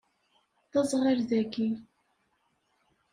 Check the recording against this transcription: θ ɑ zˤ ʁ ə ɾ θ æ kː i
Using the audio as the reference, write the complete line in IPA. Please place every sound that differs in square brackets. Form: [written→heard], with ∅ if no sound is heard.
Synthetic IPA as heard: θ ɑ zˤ ʁ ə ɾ [θ→ð] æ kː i